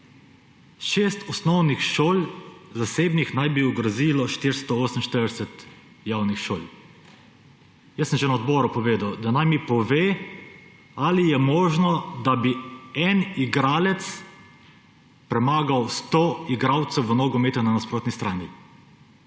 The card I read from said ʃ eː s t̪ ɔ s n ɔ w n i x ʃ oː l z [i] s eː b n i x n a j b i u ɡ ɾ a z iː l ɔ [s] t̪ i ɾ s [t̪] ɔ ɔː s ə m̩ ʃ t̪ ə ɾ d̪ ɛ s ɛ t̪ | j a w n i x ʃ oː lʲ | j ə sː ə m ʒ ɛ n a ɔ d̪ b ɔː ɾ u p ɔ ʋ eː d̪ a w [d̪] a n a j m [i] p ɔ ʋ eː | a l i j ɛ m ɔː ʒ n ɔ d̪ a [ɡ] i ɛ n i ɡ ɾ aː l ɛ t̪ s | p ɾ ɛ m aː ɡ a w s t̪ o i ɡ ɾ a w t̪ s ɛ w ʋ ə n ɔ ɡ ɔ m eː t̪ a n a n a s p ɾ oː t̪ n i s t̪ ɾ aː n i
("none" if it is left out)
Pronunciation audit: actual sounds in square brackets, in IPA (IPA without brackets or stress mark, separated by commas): a, ʃ, t̪, d̪, i, b